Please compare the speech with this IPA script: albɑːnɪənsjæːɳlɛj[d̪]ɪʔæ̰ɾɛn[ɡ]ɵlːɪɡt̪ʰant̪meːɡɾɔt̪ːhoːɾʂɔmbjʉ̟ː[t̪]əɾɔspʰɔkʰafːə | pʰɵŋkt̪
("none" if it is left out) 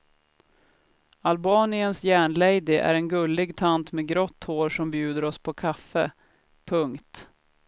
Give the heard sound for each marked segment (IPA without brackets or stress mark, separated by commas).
d̪, ɡ, d̪